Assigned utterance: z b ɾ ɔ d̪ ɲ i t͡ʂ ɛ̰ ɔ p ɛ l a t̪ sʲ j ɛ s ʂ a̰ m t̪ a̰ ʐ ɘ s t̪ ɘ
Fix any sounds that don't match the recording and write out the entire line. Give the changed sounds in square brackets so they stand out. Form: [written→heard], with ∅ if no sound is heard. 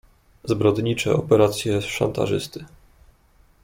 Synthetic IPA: z b ɾ ɔ d̪ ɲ i t͡ʂ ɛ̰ ɔ p ɛ [l→ɾ] a t̪ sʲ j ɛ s ʂ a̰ [m→n] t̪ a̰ ʐ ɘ s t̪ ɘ